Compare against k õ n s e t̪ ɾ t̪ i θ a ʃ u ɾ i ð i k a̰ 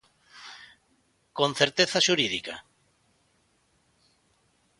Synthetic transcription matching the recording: k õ n θ e ɾ t̪ e θ a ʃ u ɾ i ð i k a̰